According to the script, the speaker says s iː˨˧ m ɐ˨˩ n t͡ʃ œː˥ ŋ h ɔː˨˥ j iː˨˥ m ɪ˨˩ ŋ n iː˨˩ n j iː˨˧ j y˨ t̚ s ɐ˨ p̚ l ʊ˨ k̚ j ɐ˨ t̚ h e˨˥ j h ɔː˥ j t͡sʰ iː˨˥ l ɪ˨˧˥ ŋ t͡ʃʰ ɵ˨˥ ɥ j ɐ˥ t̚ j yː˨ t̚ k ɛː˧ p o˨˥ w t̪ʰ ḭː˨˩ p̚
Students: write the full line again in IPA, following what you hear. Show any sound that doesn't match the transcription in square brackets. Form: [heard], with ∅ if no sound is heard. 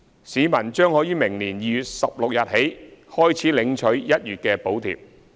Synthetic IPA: s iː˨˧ m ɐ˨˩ n t͡ʃ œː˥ ŋ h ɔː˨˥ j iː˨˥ m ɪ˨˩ ŋ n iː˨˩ n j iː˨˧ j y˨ t̚ s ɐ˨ p̚ l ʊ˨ k̚ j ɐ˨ t̚ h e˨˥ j h ɔː˥ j t͡sʰ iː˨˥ l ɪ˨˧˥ ŋ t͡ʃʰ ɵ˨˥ ɥ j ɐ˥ t̚ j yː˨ t̚ k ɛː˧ p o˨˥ w t̪ʰ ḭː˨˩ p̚